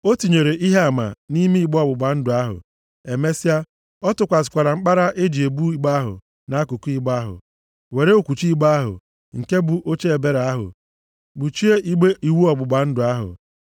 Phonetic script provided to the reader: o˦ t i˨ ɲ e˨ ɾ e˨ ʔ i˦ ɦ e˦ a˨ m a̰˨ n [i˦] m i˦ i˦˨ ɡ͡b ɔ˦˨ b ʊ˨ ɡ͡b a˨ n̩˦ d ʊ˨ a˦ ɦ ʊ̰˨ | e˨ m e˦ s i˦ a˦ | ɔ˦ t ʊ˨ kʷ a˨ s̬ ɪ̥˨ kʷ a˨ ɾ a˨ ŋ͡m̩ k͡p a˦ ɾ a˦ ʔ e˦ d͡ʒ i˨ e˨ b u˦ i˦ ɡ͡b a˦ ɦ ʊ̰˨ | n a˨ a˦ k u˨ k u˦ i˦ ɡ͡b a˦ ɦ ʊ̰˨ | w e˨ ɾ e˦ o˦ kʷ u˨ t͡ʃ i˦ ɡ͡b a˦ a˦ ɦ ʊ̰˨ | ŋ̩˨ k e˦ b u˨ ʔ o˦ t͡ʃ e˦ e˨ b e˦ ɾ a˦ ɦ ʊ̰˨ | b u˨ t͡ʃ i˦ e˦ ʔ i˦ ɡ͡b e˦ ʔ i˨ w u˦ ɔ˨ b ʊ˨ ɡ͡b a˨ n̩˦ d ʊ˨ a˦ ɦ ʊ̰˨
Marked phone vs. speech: correct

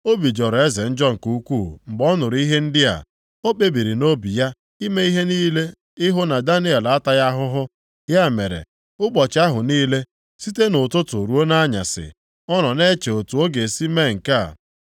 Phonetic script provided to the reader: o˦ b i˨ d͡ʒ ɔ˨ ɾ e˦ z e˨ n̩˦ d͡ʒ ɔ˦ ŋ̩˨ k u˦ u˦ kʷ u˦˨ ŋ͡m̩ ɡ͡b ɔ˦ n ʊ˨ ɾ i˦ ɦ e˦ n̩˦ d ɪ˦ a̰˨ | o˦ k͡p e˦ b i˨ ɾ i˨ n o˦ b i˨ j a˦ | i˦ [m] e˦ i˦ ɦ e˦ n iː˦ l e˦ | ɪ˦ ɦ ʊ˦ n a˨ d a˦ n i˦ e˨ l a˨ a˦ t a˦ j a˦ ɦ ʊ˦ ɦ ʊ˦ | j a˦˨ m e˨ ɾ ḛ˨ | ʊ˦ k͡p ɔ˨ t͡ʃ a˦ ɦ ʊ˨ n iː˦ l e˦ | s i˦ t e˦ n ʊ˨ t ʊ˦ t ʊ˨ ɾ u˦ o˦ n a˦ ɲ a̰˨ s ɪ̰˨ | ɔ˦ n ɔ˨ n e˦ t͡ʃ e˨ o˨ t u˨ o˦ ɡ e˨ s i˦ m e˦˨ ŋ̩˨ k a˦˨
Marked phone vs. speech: correct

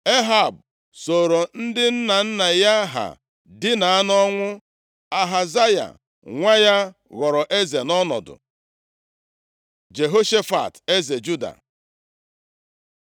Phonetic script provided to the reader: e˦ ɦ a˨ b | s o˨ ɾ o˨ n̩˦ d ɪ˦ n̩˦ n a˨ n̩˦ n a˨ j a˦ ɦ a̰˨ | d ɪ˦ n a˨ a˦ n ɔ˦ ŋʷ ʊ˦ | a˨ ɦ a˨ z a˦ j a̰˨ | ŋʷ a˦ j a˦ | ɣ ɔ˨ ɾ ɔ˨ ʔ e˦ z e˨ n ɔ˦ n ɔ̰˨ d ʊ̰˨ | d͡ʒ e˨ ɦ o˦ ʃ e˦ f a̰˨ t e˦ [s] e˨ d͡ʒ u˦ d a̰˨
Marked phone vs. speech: incorrect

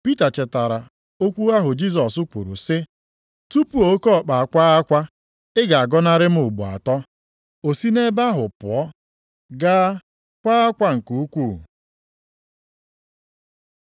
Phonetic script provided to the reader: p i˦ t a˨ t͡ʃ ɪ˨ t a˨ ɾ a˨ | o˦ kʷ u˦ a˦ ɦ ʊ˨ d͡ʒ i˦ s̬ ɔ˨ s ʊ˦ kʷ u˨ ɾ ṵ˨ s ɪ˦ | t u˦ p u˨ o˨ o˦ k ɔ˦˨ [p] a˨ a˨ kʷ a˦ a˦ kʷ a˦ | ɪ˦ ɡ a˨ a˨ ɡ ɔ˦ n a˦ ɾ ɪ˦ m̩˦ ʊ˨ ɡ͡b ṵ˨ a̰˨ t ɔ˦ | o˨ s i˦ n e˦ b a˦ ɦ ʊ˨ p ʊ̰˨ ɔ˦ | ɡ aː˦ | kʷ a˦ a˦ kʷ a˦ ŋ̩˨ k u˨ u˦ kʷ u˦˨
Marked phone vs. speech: incorrect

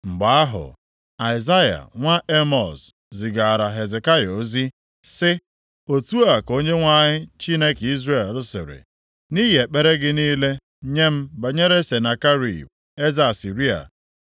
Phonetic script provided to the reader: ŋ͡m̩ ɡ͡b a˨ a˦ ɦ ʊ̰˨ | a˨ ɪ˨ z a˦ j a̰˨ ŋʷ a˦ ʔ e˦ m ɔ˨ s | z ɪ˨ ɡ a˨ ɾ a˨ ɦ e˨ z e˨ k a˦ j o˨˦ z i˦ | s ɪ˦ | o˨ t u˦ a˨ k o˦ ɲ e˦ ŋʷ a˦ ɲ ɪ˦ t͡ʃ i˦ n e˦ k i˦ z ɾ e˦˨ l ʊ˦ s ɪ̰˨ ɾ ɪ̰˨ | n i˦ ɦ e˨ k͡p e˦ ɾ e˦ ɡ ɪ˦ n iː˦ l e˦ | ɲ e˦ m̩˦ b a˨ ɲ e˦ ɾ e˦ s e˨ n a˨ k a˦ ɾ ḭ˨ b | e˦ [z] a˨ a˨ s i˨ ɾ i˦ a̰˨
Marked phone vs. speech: correct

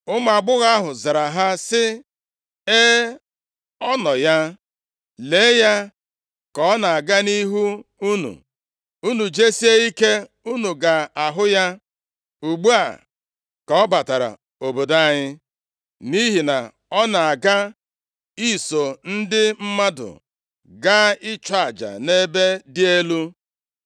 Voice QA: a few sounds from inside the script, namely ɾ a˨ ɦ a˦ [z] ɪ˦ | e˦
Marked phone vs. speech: incorrect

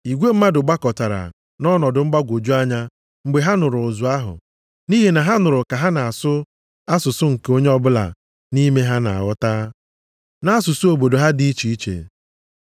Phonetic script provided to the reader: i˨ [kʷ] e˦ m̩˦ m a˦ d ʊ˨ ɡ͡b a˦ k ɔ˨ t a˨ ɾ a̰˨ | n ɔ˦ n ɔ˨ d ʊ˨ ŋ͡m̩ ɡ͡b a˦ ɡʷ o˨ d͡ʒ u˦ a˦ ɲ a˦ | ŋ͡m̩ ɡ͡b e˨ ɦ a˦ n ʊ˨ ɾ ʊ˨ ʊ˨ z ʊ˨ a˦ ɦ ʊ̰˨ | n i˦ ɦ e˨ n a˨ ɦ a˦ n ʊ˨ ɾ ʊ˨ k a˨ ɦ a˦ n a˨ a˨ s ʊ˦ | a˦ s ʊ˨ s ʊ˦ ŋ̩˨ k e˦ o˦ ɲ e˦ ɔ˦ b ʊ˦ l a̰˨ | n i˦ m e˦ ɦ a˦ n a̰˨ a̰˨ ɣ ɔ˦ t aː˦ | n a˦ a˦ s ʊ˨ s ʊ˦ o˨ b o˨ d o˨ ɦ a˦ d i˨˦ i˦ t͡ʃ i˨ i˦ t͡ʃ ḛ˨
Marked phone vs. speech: incorrect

